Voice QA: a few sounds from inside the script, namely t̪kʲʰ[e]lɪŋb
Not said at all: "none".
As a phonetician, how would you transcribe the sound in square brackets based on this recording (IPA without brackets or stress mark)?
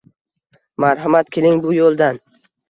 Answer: e